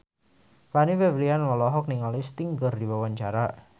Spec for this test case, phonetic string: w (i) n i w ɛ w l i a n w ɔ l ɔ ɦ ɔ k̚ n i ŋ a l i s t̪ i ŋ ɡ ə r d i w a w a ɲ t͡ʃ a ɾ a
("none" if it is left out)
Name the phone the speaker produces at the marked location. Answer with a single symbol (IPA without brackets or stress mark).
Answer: a